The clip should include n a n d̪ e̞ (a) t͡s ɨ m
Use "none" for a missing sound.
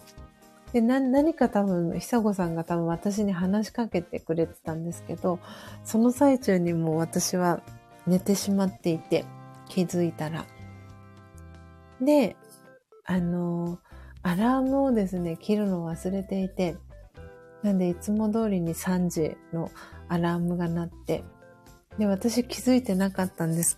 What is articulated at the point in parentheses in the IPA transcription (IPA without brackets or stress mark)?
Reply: i